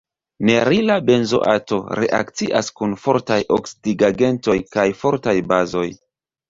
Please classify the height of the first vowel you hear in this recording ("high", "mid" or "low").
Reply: mid